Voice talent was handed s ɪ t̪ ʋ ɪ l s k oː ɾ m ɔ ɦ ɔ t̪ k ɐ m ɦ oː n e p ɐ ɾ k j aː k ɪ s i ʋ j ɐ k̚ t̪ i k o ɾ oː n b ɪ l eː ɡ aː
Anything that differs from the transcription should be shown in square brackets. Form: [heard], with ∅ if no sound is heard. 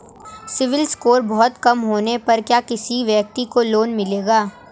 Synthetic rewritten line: s ɪ [∅] ʋ ɪ l s k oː ɾ [b] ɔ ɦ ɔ t̪ k ɐ m ɦ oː n e p ɐ ɾ k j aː k ɪ s i ʋ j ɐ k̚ t̪ i k o [l] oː n [m] ɪ l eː ɡ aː